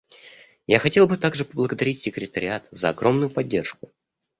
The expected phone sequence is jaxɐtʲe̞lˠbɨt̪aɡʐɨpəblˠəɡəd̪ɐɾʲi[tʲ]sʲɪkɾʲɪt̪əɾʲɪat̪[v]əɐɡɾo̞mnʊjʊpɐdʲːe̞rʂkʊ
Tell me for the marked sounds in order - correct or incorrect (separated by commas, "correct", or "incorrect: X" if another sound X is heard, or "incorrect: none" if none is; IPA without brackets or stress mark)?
correct, incorrect: z